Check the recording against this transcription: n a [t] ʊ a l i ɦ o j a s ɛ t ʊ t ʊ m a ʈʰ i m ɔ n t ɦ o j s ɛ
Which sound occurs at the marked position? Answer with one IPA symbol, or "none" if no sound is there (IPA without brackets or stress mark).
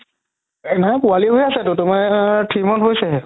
p